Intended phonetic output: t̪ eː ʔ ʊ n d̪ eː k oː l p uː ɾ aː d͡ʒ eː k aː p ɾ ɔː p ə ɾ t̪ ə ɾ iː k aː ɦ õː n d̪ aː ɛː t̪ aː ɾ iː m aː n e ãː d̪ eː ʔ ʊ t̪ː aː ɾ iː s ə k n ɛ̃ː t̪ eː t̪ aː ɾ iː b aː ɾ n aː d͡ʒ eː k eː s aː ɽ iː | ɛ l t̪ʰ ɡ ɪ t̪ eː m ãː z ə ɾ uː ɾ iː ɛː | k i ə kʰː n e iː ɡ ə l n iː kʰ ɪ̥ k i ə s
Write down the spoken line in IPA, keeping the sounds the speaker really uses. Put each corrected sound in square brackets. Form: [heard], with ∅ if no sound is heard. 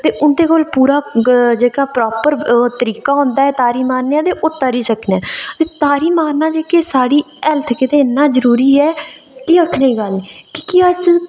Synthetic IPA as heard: t̪ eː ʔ ʊ n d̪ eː k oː l p uː ɾ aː d͡ʒ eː k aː p ɾ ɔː p ə ɾ t̪ ə ɾ iː k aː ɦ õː n d̪ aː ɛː t̪ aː ɾ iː m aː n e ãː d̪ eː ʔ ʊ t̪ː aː ɾ iː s ə k n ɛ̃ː t̪ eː t̪ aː ɾ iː [m] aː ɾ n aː d͡ʒ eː k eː s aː ɽ iː | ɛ l t̪ʰ [k] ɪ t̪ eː [n] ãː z ə ɾ uː ɾ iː ɛː | k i ə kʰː n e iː ɡ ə l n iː [k] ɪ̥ k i ə s